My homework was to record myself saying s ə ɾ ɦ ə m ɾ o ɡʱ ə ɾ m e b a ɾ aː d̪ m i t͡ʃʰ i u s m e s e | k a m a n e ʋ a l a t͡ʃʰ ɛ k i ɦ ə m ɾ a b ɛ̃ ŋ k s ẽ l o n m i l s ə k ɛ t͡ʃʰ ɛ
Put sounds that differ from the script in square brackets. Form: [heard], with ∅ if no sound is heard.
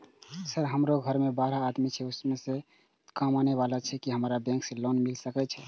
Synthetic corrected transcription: s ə ɾ ɦ ə m ɾ o ɡʱ ə ɾ m e b a ɾ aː d̪ m i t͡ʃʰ [ɛ] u s m e s e | k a m a n e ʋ a l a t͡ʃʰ ɛ k i ɦ ə m ɾ a b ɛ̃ ŋ k s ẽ l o n m i l s ə k ɛ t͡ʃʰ ɛ